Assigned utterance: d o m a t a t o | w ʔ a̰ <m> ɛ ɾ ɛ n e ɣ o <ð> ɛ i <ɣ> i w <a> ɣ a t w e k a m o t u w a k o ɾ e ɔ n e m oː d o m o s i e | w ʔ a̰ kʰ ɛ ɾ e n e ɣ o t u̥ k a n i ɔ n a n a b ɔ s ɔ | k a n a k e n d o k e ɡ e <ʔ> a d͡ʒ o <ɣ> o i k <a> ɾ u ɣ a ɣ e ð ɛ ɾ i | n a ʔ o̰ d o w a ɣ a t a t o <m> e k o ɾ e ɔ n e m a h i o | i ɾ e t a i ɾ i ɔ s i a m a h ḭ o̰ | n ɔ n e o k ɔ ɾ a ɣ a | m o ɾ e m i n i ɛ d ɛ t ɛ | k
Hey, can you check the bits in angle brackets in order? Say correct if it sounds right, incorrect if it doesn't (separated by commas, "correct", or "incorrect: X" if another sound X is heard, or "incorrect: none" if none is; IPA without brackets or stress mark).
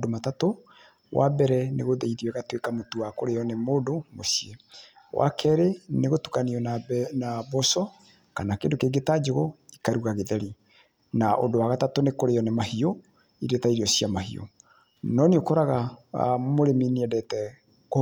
incorrect: b, correct, incorrect: ð, incorrect: ɛ, incorrect: t, correct, correct, incorrect: n